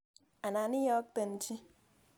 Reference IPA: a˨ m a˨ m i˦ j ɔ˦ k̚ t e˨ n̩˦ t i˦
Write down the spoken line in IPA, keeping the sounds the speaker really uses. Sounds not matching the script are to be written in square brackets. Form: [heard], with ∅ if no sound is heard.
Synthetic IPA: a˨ [n] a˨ [n] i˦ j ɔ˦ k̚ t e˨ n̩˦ [t͡ʃ] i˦